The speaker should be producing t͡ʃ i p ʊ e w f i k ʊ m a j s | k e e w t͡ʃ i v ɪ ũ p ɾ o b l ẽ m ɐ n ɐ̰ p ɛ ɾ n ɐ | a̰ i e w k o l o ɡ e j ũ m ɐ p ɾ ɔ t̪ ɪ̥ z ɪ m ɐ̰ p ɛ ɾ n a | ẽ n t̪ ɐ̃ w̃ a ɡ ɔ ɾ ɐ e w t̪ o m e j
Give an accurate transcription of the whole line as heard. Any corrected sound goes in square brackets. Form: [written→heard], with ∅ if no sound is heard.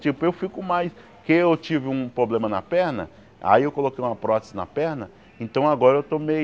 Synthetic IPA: t͡ʃ i p ʊ e w f i k ʊ m a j s | k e e w t͡ʃ i v ɪ ũ p ɾ o b l ẽ m ɐ n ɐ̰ p ɛ ɾ n ɐ | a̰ i e w k o l o [ɡ→k] e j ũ m ɐ p ɾ ɔ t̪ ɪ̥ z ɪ [m→n] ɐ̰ p ɛ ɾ n [a→ɐ] | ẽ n t̪ ɐ̃ w̃ a ɡ ɔ ɾ ɐ e w t̪ o m e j